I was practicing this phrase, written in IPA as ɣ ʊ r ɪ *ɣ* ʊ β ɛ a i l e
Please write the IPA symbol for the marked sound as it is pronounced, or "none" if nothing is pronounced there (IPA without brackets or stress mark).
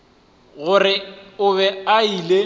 none